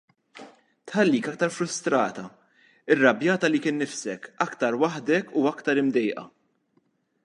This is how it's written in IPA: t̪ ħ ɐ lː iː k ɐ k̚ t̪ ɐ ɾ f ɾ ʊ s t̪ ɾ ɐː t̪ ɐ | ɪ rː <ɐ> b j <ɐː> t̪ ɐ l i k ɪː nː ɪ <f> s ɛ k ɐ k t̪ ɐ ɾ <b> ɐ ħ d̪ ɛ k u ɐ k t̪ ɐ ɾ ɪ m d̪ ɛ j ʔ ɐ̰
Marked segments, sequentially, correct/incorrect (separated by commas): correct, correct, correct, incorrect